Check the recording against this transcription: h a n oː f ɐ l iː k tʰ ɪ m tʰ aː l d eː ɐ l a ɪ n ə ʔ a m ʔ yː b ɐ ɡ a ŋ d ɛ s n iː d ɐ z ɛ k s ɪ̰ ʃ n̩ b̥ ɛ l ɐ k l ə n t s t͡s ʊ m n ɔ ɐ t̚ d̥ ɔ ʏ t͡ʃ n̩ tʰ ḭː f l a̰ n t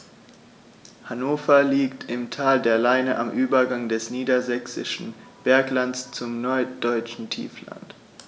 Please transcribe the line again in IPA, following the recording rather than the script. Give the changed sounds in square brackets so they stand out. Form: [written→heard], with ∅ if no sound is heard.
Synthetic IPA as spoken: h a n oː f ɐ l iː k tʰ ɪ m tʰ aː l d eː ɐ l a ɪ n ə ʔ a m ʔ yː b ɐ ɡ a ŋ d ɛ s n iː d ɐ z ɛ k s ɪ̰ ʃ n̩ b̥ ɛ [l→∅] ɐ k l [ə→a] n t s t͡s ʊ m n ɔ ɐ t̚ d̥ ɔ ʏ t͡ʃ n̩ tʰ ḭː f l a̰ n t